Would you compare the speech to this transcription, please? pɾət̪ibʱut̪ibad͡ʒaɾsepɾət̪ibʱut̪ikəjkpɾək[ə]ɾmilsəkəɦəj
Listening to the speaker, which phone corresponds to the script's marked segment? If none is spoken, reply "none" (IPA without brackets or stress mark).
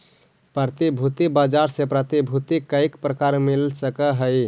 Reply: a